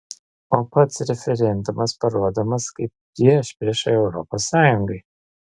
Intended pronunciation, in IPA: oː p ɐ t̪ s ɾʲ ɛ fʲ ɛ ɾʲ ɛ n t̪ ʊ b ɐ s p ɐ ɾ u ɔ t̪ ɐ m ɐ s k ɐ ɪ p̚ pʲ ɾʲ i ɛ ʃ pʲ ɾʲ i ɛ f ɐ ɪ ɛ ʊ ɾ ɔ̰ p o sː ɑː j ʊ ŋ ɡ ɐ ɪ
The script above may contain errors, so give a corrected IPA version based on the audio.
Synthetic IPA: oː p ɐ t̪ s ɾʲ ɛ fʲ ɛ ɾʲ ɛ n d̪ ʊ m ɐ s p ɐ ɾ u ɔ d̪ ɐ m ɐ s k ɐ ɪ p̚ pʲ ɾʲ i ɛ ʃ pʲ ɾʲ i ɛ ʃ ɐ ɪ ɛ ʊ ɾ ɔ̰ p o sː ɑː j ʊ ŋ ɡ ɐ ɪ